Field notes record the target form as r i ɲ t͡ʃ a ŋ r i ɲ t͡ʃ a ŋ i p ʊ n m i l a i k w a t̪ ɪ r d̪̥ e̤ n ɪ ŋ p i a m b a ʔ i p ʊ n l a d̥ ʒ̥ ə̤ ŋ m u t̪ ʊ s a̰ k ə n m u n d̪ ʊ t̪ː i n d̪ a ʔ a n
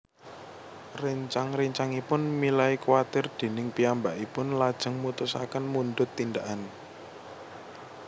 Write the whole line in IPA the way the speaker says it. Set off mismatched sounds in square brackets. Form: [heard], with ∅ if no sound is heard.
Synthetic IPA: r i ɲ t͡ʃ a ŋ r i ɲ t͡ʃ a ŋ i p ʊ n m i l a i k w a t̪ ɪ r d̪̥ e̤ n ɪ ŋ p i a m b a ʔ i p ʊ n l a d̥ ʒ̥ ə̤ ŋ m u t̪ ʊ s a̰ k ə n m u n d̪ ʊ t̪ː i n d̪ a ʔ a n

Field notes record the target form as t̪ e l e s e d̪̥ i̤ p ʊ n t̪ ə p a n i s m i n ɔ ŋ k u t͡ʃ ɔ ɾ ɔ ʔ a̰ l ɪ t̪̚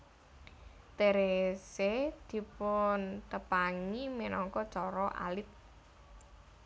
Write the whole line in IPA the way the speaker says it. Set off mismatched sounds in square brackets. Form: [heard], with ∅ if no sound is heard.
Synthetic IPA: t̪ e [ɾ] e s e d̪̥ i̤ p ʊ n t̪ ə p a [ŋ] i [∅] m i n ɔ ŋ k [ɔ] t͡ʃ ɔ ɾ ɔ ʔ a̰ l ɪ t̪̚

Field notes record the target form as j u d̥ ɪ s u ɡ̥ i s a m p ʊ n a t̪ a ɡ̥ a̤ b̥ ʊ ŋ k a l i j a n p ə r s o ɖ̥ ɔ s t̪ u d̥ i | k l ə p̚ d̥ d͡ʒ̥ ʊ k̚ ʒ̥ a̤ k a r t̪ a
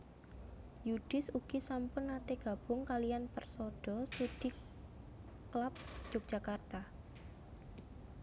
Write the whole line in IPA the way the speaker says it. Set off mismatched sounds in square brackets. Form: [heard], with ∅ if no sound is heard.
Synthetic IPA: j u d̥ ɪ s u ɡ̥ i s a m p ʊ n a t̪ [e] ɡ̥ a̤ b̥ ʊ ŋ k a l i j a n p ə r s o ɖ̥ ɔ s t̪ u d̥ i | k l [a] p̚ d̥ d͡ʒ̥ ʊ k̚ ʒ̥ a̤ k a r t̪ a

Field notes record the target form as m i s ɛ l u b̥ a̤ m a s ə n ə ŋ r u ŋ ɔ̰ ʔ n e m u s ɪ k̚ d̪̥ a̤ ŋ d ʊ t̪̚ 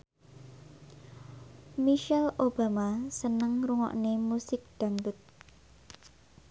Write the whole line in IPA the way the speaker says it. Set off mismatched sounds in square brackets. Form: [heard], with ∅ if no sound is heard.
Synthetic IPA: m i [ʃ] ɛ l [o] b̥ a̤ m a s ə n ə ŋ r u ŋ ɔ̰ ʔ n e m u s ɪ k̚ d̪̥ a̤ ŋ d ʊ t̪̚

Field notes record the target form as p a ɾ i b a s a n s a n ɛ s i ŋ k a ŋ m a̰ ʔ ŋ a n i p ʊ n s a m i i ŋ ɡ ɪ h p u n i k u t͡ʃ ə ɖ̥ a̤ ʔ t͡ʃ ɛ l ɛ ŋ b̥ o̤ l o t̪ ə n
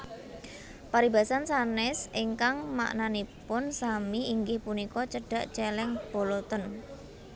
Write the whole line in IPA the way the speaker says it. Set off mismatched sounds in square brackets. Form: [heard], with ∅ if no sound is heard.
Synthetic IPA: p a ɾ i b a s a n s a n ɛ s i ŋ k a ŋ m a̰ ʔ [n] a n i p ʊ n s a m i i ŋ ɡ ɪ h p u n i k [ɔ] t͡ʃ ə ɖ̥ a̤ ʔ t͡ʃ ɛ l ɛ ŋ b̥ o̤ l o t̪ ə n

